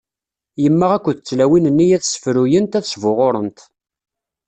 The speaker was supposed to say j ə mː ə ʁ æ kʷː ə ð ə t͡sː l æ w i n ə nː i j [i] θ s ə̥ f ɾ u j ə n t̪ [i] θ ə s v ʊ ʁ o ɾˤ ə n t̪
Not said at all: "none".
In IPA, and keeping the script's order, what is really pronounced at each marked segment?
æ, æ

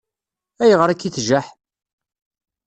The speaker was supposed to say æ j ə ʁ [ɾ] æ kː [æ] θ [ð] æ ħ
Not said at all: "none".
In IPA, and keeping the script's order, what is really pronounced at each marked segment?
ɾ, i, ʒ

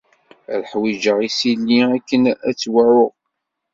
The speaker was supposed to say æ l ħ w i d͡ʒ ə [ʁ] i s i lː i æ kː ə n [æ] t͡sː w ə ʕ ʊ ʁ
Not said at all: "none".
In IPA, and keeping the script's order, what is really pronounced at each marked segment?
ʁ, æ

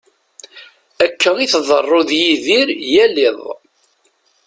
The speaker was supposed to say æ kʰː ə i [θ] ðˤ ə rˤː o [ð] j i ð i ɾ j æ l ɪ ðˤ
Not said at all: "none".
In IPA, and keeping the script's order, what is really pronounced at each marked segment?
θ, ð

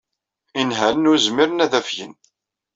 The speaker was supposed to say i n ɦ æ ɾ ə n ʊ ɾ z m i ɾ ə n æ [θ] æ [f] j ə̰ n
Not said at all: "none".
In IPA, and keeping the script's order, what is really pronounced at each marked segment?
ð, f

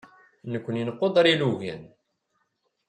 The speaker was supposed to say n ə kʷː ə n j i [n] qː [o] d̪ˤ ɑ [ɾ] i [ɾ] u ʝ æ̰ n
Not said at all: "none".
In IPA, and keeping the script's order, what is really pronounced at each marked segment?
n, o, ɾ, l

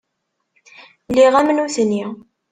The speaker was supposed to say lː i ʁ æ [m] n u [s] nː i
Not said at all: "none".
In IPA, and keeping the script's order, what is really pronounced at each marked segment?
m, θ

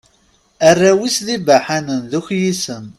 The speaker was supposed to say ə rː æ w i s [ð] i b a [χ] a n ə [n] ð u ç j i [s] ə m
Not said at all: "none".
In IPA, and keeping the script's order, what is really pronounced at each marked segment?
ð, ħ, n, s

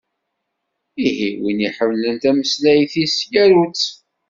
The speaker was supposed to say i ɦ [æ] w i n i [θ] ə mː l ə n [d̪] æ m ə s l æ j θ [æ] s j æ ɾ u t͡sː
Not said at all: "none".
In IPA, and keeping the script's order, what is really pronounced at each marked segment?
i, ħ, t̪, i

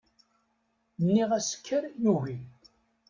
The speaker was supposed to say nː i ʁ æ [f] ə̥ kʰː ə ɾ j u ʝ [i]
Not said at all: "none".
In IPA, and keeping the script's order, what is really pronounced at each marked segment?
s, i

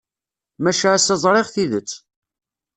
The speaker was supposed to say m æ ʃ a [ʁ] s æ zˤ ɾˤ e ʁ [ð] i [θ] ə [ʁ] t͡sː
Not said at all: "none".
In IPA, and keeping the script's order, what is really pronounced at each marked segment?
none, θ, ð, none

